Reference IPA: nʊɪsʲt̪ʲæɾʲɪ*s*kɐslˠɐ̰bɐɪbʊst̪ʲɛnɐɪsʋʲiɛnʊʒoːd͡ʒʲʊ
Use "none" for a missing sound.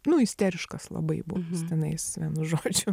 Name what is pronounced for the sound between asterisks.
ʃ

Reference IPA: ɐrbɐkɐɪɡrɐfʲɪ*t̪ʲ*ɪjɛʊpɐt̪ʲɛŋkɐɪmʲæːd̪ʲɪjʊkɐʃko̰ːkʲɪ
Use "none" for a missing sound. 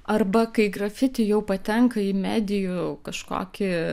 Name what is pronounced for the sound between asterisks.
t̪ʲ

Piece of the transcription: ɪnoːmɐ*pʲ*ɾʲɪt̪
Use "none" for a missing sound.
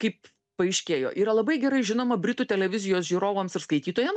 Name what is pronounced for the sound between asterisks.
bʲ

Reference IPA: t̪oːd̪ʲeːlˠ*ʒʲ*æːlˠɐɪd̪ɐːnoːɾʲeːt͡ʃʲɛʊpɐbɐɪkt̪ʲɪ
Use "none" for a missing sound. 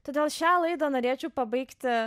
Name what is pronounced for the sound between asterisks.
ʃʲ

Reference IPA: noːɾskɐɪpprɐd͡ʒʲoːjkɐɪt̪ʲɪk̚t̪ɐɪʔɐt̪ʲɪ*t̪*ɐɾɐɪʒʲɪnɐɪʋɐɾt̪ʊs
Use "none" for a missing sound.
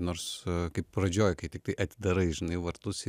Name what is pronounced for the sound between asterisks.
d̪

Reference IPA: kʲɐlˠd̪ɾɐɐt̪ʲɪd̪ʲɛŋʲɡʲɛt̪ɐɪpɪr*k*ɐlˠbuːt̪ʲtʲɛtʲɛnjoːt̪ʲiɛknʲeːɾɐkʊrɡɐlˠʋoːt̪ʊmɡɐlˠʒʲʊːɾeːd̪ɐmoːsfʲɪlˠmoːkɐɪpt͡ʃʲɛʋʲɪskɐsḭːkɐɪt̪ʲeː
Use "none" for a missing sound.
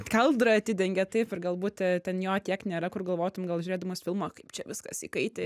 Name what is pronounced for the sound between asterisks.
ɡ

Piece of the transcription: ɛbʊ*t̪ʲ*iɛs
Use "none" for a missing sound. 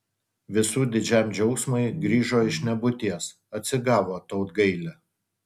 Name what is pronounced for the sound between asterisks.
t̪ʲ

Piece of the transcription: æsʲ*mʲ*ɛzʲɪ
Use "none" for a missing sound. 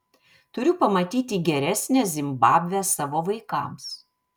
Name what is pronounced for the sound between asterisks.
nʲ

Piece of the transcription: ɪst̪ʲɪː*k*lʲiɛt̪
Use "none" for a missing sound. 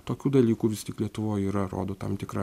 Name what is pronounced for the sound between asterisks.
k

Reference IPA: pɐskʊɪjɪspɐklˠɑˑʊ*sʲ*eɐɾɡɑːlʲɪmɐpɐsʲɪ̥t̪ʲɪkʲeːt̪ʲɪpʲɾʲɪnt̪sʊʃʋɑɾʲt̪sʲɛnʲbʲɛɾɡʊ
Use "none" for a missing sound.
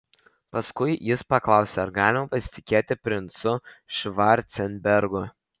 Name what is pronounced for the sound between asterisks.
sʲ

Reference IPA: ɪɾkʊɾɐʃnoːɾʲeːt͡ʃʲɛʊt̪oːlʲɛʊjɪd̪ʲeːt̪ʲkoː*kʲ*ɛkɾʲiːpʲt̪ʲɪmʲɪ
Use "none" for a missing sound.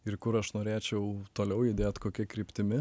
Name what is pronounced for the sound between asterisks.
kʲ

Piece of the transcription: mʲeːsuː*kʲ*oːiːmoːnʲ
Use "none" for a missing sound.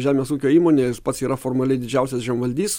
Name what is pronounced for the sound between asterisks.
kʲ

